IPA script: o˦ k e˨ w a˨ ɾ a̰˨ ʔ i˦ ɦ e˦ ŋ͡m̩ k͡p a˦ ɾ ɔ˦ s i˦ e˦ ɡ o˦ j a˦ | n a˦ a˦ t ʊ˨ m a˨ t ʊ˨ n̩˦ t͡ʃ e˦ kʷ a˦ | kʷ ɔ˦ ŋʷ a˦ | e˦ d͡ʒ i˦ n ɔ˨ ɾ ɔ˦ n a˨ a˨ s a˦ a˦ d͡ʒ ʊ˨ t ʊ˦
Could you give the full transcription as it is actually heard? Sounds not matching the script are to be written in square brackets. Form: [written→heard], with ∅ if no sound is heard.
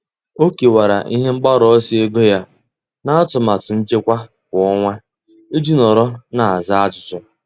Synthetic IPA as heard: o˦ k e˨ w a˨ ɾ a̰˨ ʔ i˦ ɦ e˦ ŋ͡m̩ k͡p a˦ ɾ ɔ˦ s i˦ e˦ ɡ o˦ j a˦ | n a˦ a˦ t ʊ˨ m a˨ t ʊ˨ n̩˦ t͡ʃ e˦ kʷ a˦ | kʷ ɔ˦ ŋʷ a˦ | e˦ d͡ʒ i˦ n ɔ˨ ɾ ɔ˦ n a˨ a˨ [s→z] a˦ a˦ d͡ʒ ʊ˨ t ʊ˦

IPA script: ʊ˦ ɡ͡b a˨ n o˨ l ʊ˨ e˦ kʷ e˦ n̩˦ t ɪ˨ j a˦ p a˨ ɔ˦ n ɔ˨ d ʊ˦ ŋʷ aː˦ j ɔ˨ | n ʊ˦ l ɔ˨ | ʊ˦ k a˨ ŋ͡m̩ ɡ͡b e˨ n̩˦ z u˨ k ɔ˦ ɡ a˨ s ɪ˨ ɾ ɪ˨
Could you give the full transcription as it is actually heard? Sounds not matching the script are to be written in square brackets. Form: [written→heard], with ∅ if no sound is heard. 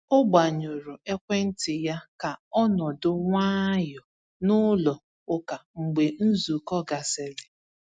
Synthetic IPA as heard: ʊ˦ ɡ͡b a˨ [n→ɲ] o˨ [l→ɾ] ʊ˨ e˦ kʷ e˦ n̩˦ t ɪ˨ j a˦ [p→k] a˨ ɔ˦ n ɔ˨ d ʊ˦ ŋʷ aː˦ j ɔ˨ | n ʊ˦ l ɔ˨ | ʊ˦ k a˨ ŋ͡m̩ ɡ͡b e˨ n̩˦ z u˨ k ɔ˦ ɡ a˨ s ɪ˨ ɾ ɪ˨

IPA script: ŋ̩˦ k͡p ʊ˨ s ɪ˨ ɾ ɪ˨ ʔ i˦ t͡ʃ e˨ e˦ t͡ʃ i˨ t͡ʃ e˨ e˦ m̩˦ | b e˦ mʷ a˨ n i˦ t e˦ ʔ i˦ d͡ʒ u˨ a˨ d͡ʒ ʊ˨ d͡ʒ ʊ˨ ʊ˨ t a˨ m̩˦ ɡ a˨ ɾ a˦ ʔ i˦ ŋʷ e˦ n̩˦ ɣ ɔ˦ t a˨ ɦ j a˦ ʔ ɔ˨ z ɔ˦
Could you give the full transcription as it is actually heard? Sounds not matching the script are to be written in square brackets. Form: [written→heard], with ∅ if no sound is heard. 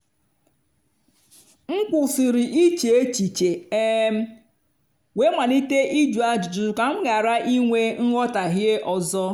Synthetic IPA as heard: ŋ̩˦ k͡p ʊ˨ s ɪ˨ ɾ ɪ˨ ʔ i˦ t͡ʃ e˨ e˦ t͡ʃ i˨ t͡ʃ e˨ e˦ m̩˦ | [b→w] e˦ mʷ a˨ n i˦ t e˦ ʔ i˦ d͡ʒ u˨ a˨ d͡ʒ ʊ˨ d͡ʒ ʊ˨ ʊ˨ [t→k] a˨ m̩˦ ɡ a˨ ɾ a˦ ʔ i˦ ŋʷ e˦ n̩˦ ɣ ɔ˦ t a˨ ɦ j [a˦→e˦] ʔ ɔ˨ z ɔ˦

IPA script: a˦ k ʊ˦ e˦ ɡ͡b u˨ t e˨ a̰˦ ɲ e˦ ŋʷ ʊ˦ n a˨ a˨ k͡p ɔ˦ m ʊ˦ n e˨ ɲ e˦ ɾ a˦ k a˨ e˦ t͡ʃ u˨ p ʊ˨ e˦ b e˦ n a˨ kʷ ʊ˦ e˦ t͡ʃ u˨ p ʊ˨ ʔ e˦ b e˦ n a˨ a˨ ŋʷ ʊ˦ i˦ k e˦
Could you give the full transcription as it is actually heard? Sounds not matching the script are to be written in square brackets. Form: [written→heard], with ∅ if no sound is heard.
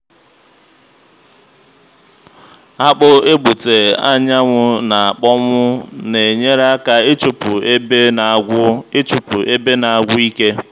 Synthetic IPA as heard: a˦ [k→k͡p] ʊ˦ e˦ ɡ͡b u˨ t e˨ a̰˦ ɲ [e˦→a˦] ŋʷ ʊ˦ n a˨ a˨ k͡p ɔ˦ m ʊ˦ n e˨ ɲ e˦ ɾ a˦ k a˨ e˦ t͡ʃ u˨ p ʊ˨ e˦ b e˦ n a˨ [kʷ→ɡʷ] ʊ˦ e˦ t͡ʃ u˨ p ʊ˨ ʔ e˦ b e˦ n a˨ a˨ [ŋʷ→ɡʷ] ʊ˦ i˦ k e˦

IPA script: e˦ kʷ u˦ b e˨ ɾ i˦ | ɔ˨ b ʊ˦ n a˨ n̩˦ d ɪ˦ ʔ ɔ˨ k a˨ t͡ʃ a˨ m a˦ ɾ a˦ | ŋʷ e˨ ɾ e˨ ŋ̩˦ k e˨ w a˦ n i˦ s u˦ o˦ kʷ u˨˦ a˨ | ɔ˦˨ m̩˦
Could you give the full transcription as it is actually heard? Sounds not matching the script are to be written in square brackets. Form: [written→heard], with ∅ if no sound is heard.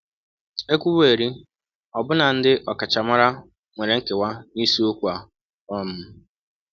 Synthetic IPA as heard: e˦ kʷ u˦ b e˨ ɾ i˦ | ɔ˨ b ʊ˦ n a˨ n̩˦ d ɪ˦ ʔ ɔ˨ k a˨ t͡ʃ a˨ m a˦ ɾ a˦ | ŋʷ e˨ ɾ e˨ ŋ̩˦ k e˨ w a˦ n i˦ s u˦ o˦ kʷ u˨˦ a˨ | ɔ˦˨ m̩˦

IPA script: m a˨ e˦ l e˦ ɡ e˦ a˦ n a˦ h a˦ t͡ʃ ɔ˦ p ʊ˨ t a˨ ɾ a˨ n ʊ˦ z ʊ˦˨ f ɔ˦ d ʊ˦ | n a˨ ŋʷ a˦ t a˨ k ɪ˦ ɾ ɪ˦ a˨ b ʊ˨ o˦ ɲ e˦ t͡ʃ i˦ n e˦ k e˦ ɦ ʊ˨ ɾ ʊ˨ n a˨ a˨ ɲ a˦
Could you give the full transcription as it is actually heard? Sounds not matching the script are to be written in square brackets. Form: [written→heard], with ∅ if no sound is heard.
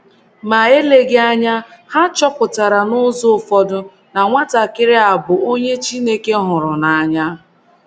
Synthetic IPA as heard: m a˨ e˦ l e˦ ɡ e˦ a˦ [n→ɲ] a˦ h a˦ t͡ʃ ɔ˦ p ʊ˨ t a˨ ɾ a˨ n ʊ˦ z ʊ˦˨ f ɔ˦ d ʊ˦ | n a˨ ŋʷ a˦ t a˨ k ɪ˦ ɾ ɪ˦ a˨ b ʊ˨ o˦ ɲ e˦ t͡ʃ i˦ n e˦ k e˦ ɦ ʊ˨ ɾ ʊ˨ n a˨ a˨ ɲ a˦

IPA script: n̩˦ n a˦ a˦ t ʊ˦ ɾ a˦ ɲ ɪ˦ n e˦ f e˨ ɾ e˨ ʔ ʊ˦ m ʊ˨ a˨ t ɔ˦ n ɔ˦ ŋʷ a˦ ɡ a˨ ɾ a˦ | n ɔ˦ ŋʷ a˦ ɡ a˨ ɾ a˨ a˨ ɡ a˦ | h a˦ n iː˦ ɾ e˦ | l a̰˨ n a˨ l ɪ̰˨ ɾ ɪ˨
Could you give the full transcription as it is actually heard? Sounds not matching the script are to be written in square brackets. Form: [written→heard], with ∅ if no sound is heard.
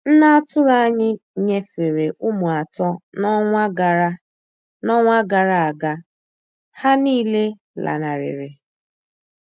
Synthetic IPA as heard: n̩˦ n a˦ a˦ t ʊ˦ ɾ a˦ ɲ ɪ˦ [n→ɲ] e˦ f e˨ ɾ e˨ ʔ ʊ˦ m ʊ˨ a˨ t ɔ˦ n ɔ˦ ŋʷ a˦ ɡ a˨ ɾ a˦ | n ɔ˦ ŋʷ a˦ ɡ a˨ ɾ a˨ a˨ ɡ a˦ | h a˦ n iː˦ [ɾ→l] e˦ | l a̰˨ n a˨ [l→ɾ] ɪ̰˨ ɾ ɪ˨

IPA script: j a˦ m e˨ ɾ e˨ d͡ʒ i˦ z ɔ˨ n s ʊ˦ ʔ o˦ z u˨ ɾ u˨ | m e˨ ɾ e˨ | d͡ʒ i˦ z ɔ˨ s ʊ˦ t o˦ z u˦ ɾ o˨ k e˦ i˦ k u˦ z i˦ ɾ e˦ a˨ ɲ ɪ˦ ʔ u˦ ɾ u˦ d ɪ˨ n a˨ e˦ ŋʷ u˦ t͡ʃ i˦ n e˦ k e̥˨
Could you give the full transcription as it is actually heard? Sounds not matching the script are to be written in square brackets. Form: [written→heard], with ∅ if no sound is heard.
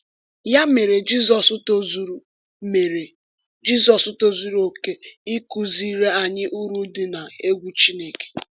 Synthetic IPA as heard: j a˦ m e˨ ɾ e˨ d͡ʒ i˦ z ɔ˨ [n→∅] s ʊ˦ [ʔ→t] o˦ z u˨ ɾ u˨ | m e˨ ɾ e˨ | d͡ʒ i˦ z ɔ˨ s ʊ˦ t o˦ z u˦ ɾ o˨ k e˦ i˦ k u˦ z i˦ ɾ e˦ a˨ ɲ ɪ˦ ʔ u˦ ɾ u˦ d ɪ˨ n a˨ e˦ [ŋʷ→ɡʷ] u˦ t͡ʃ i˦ n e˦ k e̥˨

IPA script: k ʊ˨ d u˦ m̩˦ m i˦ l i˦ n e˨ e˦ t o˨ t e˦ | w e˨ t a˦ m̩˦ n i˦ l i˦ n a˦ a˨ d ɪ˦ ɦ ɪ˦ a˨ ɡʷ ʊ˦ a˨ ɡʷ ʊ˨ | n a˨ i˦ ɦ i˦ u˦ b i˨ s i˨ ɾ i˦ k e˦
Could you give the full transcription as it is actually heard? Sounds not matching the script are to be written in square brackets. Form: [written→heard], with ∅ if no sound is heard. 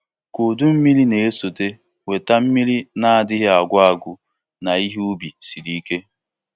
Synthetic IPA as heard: k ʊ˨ d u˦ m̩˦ m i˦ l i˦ n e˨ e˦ [t→s] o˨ t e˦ | w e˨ t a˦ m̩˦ [n→m] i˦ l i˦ n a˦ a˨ d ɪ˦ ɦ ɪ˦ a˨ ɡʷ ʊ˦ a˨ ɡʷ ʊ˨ | n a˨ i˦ ɦ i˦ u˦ b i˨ s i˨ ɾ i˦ k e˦

